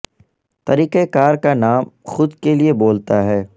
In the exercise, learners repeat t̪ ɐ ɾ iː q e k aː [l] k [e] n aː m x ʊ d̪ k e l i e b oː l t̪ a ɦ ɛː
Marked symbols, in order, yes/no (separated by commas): no, no